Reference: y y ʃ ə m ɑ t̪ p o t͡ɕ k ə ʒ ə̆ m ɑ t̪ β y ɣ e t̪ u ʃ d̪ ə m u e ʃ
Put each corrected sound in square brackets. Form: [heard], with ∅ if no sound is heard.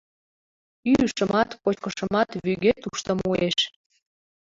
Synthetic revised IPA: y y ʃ ə m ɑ t̪ p o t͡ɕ k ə [ʃ] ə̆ m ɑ t̪ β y ɣ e t̪ u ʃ [t̪] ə m u e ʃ